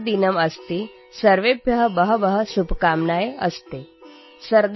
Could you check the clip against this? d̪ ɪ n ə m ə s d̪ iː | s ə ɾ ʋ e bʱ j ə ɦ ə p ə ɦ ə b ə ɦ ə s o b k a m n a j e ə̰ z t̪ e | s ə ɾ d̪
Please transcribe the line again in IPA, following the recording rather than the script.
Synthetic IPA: d̪ i n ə m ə s t̪ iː | s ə ɾ ʋ e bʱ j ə ɦ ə b ə ɦ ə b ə ɦ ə s u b k a m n a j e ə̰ s t̪ e | s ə ɾ d̪